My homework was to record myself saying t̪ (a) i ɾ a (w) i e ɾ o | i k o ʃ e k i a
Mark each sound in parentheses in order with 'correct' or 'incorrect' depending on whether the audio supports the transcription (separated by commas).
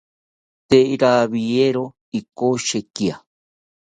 incorrect, incorrect